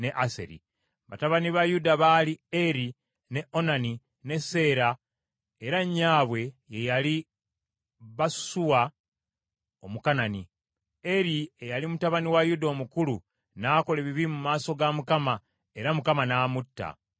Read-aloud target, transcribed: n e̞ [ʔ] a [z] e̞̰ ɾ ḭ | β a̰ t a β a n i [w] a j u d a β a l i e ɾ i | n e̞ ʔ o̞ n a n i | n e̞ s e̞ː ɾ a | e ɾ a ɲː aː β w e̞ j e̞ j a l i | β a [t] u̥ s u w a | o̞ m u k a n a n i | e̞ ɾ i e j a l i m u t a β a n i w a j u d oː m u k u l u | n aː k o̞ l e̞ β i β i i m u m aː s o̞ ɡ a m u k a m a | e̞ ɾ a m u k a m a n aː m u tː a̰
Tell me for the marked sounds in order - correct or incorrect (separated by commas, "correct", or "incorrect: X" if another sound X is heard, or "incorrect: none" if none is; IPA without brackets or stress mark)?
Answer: correct, incorrect: s, incorrect: β, incorrect: s